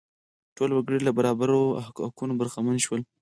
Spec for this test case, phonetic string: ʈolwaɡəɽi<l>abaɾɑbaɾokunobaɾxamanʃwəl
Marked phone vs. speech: correct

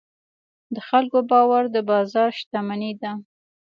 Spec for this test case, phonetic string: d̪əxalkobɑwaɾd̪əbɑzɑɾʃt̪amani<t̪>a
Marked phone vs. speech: incorrect: d̪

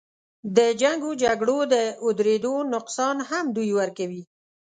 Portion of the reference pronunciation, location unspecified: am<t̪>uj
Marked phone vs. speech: incorrect: d̪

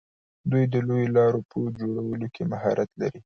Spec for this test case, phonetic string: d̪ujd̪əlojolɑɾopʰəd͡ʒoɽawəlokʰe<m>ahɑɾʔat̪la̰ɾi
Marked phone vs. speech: correct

